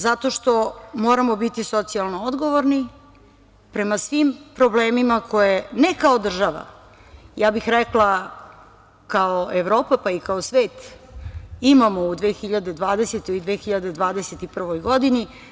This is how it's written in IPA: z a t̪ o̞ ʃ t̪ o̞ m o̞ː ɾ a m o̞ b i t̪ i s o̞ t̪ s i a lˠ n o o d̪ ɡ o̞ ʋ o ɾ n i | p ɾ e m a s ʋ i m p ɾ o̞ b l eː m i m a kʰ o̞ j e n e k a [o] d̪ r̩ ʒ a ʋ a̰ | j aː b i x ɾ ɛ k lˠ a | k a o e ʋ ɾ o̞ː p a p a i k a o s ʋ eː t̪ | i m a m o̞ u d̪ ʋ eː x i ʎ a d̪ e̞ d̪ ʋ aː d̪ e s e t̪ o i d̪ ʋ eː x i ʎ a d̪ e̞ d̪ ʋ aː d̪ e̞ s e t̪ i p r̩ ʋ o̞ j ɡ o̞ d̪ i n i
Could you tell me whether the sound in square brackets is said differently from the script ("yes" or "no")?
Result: no